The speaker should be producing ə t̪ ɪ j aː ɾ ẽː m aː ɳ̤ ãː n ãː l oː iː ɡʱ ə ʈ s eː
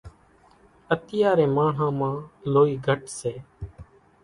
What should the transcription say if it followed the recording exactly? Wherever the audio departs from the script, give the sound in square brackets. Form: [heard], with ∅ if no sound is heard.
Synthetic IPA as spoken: ə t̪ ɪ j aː ɾ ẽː m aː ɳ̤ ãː [m] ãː l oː iː ɡʱ ə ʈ s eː